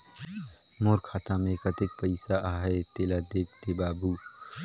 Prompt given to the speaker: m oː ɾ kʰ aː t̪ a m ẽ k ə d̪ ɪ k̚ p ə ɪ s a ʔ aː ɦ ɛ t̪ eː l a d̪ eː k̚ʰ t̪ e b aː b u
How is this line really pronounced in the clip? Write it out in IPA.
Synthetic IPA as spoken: m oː ɾ kʰ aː t̪ a m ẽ k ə t̪ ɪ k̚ p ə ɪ s a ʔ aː ɦ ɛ t̪ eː l a d̪ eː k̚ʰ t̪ e b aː b u